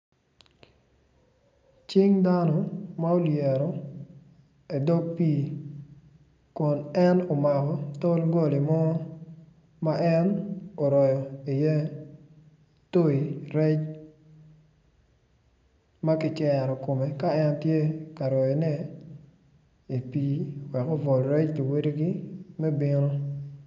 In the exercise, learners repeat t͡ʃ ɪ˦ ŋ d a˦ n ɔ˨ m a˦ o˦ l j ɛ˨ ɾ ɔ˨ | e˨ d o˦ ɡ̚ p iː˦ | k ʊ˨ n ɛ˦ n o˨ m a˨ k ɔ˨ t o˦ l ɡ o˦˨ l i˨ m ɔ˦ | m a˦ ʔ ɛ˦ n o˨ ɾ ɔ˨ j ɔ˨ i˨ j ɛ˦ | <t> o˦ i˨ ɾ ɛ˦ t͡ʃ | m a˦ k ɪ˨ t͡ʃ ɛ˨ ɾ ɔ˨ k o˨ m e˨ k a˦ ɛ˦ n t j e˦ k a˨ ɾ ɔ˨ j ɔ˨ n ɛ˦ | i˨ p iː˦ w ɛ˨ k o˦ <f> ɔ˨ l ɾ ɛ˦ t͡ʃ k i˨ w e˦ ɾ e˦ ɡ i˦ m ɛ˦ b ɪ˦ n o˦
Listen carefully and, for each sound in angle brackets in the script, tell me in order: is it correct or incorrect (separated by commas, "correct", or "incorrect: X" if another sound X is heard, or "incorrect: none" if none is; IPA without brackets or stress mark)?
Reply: correct, incorrect: v